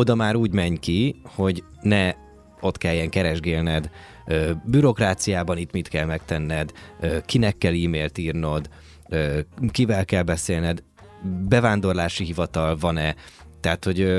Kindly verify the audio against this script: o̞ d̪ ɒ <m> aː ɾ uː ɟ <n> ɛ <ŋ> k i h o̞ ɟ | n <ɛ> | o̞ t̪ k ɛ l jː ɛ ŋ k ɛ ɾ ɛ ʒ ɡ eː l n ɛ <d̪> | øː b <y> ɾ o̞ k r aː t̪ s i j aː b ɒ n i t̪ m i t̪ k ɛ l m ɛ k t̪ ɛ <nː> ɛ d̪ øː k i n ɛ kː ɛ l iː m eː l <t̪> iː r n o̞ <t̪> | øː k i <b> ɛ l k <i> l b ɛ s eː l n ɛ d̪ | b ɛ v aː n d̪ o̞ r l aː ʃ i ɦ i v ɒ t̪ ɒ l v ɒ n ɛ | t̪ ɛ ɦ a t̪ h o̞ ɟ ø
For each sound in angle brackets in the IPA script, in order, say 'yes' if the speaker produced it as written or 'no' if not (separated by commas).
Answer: yes, no, no, yes, yes, yes, yes, yes, no, no, no